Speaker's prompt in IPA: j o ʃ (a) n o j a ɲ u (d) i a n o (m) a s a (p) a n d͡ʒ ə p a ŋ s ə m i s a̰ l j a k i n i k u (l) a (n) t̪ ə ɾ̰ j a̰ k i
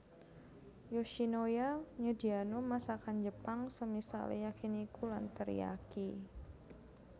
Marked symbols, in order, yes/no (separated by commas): no, yes, yes, no, yes, yes